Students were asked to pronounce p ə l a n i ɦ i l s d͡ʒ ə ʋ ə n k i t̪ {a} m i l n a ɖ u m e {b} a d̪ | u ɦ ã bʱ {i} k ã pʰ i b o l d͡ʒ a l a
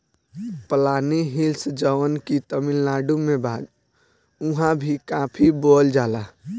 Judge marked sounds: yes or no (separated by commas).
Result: no, yes, yes